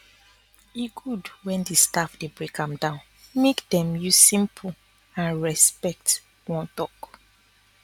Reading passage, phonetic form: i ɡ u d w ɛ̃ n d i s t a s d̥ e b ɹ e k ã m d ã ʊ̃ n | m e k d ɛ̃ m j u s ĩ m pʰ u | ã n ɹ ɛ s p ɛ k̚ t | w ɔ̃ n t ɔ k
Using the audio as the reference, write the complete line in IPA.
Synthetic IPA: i ɡ u d w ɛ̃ n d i s t a f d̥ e b ɹ e k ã m d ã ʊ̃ n | m e k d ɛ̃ m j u s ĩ m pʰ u | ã n ɹ ɛ s p ɛ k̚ t | w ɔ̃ n t ɔ k